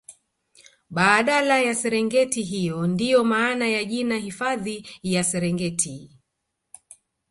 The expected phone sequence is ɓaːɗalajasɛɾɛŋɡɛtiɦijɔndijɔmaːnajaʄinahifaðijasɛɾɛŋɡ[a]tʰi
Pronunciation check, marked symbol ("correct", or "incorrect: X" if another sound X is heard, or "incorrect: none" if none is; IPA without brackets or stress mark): incorrect: ɛ